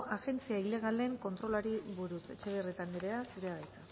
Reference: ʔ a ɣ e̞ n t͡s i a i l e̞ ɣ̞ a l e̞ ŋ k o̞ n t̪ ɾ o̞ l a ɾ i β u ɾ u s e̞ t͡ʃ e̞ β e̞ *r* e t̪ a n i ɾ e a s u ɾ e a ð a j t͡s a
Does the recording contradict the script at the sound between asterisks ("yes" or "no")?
no